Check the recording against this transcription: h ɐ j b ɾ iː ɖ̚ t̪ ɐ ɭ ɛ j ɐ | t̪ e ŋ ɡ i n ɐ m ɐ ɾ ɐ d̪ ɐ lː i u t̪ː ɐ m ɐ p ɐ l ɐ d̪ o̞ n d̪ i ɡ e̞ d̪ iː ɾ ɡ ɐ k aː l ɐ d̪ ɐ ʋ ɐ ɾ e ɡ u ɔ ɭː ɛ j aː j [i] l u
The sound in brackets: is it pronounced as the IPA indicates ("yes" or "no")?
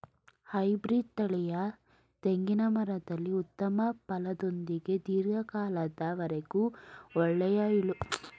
yes